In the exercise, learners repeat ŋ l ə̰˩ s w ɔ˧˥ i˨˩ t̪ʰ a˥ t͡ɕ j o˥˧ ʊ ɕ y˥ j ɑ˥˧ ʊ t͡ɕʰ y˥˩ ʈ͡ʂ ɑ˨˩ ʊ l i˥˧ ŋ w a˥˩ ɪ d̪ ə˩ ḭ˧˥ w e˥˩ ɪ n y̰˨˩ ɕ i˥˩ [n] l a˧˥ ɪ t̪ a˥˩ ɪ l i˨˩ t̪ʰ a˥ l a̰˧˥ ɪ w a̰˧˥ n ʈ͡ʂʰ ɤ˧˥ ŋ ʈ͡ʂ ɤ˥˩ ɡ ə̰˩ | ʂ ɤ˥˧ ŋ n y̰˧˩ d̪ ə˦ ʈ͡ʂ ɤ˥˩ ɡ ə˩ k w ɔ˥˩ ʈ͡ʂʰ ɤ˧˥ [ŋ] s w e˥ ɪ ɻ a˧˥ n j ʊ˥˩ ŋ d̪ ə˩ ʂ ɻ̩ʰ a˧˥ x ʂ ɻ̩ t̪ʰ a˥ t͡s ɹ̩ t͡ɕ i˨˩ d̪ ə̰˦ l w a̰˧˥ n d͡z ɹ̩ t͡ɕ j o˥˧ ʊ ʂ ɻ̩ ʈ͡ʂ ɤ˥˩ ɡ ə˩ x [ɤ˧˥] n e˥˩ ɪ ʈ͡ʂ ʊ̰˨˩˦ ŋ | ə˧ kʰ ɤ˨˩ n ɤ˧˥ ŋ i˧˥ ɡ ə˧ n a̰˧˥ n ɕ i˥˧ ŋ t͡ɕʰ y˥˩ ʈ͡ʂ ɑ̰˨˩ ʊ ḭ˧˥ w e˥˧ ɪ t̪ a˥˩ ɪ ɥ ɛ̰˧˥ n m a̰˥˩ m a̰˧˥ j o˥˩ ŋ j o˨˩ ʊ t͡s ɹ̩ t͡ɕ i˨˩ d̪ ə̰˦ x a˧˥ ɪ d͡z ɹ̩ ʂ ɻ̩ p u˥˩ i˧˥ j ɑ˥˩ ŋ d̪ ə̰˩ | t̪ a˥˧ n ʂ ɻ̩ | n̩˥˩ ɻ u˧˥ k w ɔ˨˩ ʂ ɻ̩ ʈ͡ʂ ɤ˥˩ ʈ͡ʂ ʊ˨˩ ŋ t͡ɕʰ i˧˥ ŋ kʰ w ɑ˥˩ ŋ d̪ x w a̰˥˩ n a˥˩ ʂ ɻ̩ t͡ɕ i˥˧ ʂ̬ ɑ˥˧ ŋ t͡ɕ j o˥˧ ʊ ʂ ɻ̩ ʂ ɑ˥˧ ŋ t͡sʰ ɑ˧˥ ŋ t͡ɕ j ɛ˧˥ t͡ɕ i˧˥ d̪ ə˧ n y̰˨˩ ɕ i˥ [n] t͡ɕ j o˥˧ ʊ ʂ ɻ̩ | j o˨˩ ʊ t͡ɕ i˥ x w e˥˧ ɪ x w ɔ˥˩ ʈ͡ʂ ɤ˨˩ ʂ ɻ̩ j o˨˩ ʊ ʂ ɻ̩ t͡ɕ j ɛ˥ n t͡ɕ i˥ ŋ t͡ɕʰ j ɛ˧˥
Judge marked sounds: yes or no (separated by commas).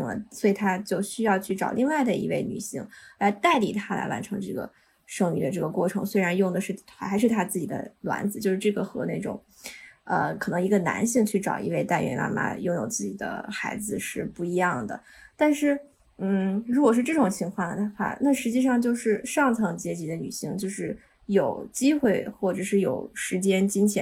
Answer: no, yes, yes, no